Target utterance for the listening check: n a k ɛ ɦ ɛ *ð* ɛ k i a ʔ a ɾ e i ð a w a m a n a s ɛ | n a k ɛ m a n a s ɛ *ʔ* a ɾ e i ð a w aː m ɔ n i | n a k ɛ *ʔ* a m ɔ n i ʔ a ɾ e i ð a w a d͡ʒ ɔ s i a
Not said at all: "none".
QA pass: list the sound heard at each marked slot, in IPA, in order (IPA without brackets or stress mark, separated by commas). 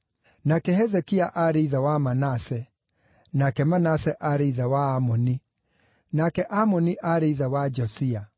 z, ʔ, ʔ